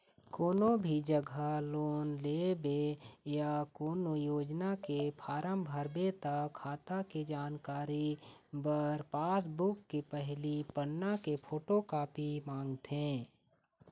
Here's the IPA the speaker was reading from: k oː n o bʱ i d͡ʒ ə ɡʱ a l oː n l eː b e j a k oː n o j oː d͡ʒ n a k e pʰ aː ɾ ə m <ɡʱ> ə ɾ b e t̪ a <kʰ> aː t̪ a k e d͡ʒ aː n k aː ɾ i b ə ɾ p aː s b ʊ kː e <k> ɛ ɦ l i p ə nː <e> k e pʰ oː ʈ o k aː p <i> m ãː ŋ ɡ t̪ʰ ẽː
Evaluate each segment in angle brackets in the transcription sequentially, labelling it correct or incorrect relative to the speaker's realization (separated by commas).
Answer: incorrect, correct, incorrect, incorrect, correct